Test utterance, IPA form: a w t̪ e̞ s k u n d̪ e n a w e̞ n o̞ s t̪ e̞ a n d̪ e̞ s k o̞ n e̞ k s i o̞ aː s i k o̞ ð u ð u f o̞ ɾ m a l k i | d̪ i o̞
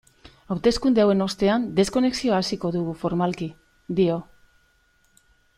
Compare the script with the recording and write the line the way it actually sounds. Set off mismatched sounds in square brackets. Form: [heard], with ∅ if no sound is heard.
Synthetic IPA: a w t̪ e̞ s k u n d̪ e [∅] a w e̞ n o̞ s t̪ e̞ a n d̪ e̞ s k o̞ n e̞ k s i o̞ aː s i k o̞ ð u [ɣ] u f o̞ ɾ m a l k i | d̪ i o̞